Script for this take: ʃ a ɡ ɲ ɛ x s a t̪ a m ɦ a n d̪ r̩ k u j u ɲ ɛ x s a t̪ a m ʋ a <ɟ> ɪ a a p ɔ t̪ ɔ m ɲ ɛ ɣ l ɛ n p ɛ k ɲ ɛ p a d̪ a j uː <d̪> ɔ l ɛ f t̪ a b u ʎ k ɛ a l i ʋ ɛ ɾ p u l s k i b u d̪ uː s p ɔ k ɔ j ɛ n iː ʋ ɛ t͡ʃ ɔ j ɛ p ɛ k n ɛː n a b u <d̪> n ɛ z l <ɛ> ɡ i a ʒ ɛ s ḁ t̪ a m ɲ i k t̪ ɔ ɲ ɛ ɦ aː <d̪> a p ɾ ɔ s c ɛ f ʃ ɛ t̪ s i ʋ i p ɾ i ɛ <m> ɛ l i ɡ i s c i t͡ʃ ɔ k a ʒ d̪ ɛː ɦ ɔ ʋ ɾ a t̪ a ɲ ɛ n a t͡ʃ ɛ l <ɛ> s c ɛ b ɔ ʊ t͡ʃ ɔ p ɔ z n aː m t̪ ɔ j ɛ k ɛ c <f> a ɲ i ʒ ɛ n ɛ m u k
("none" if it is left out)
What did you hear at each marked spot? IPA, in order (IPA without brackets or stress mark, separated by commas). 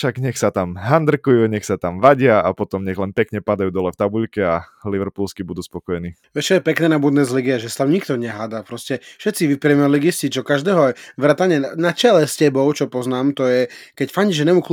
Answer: ɟ, d̪, d̪, i, d̪, m, ɛ, f